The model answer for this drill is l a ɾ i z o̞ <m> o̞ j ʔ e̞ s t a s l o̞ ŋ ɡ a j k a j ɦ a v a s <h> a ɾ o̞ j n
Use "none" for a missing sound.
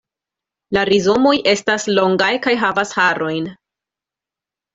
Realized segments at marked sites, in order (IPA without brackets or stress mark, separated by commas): m, h